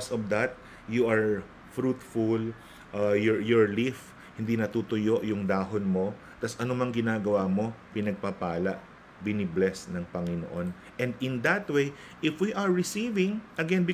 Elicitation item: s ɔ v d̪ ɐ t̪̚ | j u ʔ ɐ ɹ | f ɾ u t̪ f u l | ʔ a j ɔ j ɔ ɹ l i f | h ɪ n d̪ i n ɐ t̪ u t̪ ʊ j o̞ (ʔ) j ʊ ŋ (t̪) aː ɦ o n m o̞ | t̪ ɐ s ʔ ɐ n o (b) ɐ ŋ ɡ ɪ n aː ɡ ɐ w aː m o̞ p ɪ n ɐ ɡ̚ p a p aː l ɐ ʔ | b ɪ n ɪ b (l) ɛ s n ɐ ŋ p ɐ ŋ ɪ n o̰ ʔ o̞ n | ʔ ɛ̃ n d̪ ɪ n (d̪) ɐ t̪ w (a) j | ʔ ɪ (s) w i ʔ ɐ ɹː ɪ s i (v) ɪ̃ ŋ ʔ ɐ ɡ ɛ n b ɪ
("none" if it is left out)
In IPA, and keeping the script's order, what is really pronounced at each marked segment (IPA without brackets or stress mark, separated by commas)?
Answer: ʔ, d̪, m, l, d̪, e, f, v